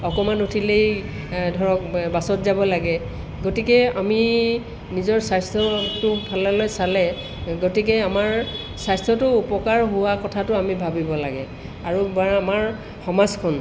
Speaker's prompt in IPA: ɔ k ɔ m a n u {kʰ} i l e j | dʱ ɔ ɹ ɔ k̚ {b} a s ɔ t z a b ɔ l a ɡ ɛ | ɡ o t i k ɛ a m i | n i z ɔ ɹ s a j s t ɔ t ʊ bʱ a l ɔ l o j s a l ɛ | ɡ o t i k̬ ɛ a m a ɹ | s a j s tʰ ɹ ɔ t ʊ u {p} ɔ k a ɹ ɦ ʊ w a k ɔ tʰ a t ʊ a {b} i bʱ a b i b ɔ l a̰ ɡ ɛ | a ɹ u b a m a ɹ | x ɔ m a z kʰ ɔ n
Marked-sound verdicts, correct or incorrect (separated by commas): incorrect, correct, correct, incorrect